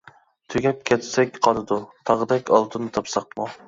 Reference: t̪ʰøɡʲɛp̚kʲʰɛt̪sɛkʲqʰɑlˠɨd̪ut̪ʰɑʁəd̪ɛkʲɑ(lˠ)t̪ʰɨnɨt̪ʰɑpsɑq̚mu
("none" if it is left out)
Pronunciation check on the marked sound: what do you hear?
lˠ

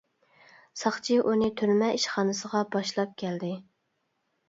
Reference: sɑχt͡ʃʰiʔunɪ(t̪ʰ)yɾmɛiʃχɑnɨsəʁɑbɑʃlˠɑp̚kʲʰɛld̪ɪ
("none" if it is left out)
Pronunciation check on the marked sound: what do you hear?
t̪ʰ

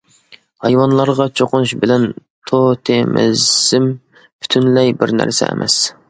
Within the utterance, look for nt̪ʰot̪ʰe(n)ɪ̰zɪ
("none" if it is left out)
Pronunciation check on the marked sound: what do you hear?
m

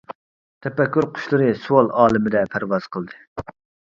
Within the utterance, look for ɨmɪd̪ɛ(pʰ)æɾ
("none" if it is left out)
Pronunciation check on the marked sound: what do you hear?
pʰ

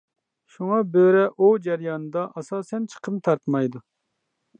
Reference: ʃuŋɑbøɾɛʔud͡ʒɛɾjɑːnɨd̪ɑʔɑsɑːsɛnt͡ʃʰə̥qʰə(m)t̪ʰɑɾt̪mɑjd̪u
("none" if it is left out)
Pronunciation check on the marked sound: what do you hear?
m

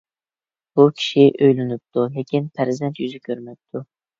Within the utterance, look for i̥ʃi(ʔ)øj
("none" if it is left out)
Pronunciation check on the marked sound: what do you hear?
ʔ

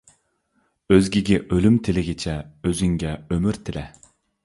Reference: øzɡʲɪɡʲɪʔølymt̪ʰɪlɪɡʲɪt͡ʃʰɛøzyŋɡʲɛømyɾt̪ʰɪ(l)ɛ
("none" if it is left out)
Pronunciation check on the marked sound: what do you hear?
l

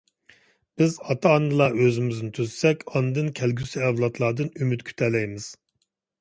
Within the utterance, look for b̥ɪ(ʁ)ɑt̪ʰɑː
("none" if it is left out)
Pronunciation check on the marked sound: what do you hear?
z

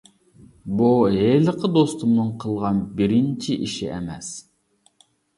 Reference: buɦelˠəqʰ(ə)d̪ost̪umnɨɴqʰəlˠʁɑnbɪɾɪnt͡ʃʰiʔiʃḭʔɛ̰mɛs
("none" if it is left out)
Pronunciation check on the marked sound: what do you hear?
ə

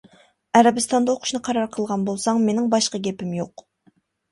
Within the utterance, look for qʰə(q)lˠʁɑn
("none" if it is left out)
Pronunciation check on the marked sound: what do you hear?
none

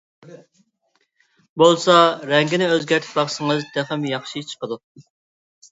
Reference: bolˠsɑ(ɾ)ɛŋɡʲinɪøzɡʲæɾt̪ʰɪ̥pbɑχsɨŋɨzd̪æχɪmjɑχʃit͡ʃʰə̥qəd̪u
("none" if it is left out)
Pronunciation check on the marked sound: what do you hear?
ɾ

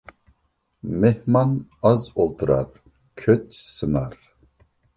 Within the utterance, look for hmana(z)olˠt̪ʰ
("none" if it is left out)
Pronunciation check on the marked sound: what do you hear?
z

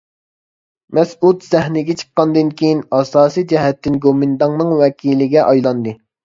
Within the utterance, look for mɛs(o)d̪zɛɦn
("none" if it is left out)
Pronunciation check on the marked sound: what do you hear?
u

